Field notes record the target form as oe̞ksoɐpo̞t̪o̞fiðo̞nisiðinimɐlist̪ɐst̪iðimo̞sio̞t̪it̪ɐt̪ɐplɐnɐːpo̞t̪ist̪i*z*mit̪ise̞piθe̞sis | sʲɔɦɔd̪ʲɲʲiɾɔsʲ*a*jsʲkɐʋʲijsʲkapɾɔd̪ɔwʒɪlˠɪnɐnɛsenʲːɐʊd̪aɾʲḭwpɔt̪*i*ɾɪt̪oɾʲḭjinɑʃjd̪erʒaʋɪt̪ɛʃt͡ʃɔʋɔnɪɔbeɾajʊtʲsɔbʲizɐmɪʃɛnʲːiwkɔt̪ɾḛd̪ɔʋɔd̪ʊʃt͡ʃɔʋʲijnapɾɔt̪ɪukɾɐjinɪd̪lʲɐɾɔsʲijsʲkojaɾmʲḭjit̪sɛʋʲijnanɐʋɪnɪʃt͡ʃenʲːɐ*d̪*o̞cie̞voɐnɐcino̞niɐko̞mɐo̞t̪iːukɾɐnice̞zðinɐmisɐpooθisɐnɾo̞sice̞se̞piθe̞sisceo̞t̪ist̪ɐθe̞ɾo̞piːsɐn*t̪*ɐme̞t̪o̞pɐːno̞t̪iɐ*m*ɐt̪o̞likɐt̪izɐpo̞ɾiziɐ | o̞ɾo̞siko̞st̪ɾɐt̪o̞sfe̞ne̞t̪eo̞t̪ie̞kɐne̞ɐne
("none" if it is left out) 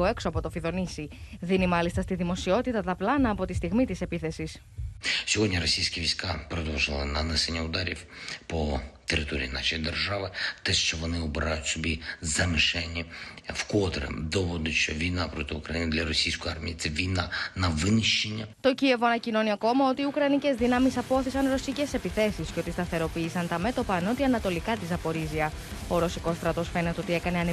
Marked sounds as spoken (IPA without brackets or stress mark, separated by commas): ɣ, i, e, t̪, t̪, n